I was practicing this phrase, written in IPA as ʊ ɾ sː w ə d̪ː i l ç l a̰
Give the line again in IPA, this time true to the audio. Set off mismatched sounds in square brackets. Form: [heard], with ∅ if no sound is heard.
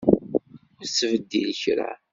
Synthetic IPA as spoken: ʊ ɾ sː [v] ə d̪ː i l ç [ɾ] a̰